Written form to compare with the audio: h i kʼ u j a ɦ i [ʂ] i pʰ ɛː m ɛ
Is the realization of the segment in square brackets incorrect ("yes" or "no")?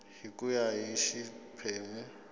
yes